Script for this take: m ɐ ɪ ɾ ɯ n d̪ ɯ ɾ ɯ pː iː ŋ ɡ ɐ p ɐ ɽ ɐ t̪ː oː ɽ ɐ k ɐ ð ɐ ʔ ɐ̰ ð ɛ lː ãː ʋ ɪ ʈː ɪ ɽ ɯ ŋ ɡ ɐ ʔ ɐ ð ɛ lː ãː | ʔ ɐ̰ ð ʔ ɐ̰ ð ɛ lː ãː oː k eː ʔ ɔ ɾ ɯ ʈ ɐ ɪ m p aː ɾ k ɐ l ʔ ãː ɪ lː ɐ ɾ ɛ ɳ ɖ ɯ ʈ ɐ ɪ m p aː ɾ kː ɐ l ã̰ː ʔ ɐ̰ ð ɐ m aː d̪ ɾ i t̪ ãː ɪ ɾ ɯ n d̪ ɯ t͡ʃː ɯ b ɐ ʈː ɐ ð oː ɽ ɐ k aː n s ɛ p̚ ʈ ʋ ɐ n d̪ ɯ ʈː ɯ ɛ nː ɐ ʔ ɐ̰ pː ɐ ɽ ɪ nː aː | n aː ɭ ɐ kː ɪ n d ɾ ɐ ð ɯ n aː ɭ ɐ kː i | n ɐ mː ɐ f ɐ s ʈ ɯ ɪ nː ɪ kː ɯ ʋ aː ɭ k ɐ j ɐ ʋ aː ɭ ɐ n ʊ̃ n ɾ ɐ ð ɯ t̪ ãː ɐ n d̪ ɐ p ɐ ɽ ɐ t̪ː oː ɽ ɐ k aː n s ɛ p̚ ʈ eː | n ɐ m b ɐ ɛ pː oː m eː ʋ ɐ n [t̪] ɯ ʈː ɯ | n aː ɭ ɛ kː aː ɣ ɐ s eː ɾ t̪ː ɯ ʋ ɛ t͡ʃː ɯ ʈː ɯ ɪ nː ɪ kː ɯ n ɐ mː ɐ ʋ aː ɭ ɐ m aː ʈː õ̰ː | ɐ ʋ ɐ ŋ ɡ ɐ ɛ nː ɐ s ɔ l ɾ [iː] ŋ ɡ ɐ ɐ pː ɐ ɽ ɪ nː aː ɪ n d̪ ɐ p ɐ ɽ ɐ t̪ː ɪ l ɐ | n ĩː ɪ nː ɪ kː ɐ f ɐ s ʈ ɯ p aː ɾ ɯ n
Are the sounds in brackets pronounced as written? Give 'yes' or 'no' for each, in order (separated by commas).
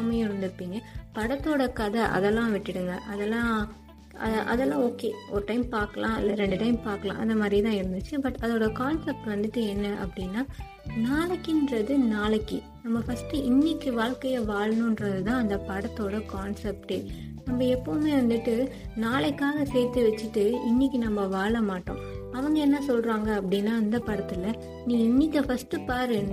no, no